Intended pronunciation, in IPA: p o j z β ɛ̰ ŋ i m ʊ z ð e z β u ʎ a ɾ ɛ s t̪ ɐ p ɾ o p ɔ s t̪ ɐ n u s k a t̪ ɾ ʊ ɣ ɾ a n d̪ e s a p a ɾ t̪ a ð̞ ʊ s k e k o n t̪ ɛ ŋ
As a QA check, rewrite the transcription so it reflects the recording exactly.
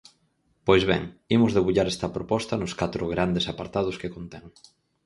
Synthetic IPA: p o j z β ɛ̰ ŋ i m ʊ z ð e β u ʎ a ɾ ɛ s t̪ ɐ p ɾ o p ɔ s t̪ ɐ n ʊ s k a t̪ ɾ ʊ ɣ ɾ a n d̪ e s a p a ɾ t̪ a ð̞ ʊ s k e k o n t̪ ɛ ŋ

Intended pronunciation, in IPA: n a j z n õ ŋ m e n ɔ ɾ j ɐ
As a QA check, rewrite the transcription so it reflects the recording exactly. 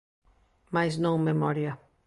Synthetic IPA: m a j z n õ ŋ m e m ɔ ɾ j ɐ

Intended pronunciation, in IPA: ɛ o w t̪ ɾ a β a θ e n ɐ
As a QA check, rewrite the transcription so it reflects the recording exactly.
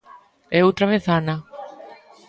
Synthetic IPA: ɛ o w t̪ ɾ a β e θ a n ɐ

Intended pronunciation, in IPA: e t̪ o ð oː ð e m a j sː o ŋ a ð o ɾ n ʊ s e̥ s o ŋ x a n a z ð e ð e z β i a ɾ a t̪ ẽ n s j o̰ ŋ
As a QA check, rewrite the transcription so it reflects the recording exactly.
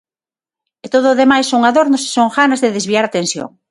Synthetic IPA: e t̪ o ð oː ð e m a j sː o ŋ a ð o ɾ n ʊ s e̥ s o ŋ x a n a z ð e ð e z β i a ɾ a t̪ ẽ n s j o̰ ŋ

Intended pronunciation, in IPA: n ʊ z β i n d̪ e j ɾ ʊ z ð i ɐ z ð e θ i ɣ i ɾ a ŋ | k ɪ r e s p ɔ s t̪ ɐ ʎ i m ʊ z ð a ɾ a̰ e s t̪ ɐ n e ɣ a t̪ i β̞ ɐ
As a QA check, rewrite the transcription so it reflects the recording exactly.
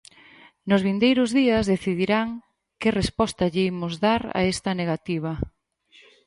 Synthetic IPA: n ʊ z β i n d̪ e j ɾ ʊ z ð i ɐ z ð e θ i ð i ɾ a ŋ | k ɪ r e s p ɔ s t̪ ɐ ʎ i m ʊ z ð a ɾ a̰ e s t̪ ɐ n e ɣ a t̪ i β̞ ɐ

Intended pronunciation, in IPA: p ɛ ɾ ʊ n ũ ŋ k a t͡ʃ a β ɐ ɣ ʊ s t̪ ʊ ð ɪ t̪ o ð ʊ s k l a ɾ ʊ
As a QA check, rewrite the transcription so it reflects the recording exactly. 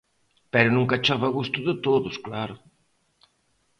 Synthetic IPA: p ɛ ɾ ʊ n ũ ŋ k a t͡ʃ a β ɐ ɣ u s t̪ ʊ ð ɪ t̪ o ð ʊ s k l a ɾ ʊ

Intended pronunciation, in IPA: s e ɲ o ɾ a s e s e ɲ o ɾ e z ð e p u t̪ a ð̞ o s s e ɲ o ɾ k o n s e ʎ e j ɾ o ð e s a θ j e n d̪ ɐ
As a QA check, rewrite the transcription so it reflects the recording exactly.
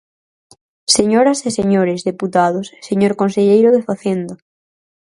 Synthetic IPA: s e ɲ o ɾ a s e s e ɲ o ɾ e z ð e p u t̪ a ð̞ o s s e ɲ o ɾ k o n s e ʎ e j ɾ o ð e f a θ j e n d̪ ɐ

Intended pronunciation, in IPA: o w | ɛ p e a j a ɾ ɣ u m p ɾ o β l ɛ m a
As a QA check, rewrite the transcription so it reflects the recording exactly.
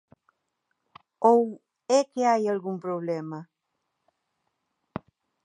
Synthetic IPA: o w | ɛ k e a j a l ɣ u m p ɾ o β l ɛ m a

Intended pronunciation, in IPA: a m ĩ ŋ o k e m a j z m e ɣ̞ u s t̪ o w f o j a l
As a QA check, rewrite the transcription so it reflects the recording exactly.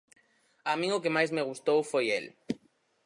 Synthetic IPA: a m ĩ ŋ o k e m a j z m e ɣ̞ u s t̪ o w f o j e l

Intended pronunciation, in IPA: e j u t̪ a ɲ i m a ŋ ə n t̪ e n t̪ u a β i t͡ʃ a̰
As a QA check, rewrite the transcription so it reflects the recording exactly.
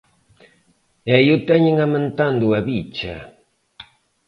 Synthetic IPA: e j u t̪ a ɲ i ŋ a m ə n t̪ a n d̪ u a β i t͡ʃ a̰

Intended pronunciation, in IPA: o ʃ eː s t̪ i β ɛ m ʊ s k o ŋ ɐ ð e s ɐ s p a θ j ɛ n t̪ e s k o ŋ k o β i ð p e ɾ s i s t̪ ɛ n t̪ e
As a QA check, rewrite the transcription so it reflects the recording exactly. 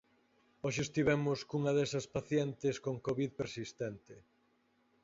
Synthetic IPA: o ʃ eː s t̪ i β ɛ m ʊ s k u ŋ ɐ ð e s ɐ s p a θ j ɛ n t̪ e s k o ŋ k o β i ð p e ɾ s i s t̪ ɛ n t̪ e

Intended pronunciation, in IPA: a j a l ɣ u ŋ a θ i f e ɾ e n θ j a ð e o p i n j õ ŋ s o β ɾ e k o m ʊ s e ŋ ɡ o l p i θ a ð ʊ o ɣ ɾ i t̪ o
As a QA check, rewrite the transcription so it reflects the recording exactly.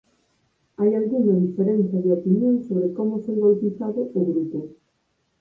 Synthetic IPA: a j a l ɣ u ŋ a ð i f e ɾ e n θ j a ð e o p i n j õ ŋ s o β ɾ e k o m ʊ s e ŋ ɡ o l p i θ a ð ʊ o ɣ ɾ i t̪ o

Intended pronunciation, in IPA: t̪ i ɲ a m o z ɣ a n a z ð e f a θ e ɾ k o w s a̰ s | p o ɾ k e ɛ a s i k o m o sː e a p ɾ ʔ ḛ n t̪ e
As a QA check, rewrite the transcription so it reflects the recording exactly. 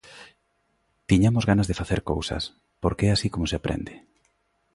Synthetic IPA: t̪ i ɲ a m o z ɣ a n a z ð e f a θ e ɾ k o w s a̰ s | p o ɾ k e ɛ a s i k o m o s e a p ɾ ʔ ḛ n d̪ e

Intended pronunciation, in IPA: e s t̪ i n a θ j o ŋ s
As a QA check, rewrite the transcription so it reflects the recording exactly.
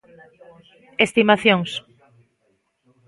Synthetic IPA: e s t̪ i m a θ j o ŋ s

